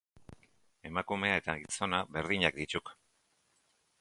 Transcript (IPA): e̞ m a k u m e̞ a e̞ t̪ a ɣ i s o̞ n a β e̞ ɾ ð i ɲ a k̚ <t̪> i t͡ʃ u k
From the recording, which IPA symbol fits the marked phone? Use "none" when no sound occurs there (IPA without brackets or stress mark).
d̪